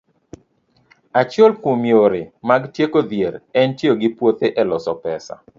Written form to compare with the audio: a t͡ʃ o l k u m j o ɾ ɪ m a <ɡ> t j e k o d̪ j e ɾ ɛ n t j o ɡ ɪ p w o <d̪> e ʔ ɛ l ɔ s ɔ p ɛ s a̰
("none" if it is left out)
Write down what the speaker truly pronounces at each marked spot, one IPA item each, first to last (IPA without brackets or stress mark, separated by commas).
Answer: ɡ, t̪